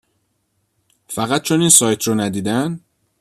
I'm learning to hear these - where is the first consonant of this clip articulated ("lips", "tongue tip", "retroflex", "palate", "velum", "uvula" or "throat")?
lips